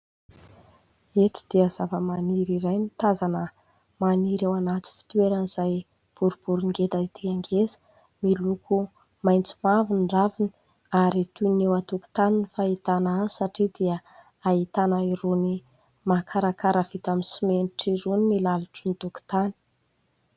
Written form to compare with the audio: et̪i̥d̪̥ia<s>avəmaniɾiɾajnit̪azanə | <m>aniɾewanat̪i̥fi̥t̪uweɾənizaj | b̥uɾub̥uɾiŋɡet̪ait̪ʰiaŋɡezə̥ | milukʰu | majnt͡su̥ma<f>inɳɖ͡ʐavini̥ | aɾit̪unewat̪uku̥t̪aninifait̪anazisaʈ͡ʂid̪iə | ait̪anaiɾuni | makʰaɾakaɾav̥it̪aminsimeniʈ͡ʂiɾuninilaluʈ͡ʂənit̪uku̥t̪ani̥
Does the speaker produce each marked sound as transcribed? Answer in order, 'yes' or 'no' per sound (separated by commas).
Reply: no, yes, no